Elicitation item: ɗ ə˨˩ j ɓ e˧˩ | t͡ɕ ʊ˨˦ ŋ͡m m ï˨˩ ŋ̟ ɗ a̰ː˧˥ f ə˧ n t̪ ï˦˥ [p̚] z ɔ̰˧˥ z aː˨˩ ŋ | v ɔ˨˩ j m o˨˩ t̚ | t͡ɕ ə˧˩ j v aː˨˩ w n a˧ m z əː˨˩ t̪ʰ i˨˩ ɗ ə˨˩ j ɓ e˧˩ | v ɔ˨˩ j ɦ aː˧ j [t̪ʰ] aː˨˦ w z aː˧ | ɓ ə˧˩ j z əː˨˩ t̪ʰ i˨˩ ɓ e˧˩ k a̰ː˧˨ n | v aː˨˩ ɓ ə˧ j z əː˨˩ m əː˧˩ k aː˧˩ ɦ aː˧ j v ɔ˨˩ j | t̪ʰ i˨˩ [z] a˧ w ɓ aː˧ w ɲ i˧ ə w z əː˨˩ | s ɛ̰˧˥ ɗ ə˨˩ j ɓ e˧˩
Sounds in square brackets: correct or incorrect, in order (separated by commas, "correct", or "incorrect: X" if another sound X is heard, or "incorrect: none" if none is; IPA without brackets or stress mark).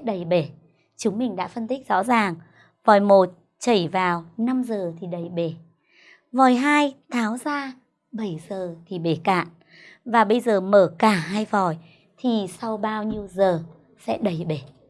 incorrect: k̚, correct, incorrect: s